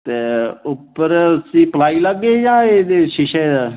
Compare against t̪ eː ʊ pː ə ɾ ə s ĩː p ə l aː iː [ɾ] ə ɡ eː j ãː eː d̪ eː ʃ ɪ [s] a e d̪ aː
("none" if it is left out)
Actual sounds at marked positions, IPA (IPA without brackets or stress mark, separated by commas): l, ʃ